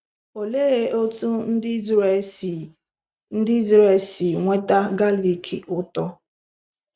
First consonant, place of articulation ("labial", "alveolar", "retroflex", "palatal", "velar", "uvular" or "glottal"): alveolar